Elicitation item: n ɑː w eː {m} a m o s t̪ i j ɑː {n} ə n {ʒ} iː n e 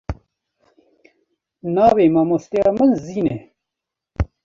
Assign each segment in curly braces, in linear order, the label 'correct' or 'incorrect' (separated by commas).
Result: correct, incorrect, incorrect